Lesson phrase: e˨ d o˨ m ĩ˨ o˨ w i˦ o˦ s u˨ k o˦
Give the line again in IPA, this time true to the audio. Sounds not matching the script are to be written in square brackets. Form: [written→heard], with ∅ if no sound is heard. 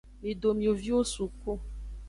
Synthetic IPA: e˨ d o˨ m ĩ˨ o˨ [w→v] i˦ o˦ s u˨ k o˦